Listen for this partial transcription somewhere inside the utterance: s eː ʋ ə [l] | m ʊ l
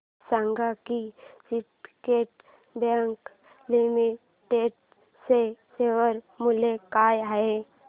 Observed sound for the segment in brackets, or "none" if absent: ɾ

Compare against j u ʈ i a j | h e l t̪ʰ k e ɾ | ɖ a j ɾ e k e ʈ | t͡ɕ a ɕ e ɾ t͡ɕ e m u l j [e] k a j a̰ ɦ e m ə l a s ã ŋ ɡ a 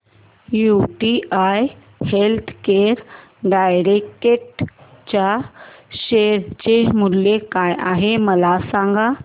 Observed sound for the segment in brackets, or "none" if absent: e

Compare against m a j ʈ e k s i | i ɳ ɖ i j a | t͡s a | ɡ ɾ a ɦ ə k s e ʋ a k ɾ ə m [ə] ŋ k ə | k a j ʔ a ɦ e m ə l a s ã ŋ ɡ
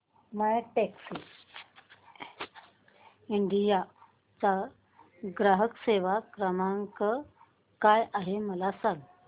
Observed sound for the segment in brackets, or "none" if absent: a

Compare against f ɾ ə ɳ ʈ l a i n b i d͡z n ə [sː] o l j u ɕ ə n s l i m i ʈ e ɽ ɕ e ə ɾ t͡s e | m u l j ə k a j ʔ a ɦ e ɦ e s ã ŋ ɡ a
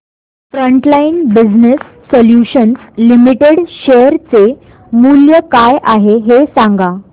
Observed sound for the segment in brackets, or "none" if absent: sː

